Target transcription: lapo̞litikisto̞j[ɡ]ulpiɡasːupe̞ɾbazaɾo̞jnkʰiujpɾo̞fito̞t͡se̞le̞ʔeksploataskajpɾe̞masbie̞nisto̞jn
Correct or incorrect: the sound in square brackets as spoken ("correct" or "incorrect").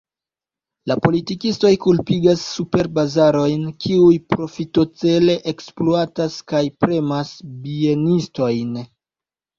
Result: incorrect